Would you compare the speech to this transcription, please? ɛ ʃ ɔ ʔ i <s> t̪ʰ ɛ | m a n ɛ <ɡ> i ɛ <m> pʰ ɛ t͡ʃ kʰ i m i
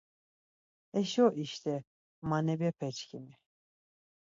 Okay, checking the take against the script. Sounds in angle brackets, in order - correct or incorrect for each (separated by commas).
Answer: incorrect, incorrect, incorrect